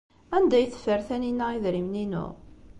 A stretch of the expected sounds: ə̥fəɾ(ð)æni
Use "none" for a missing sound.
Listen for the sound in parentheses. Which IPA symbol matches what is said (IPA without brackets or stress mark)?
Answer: θ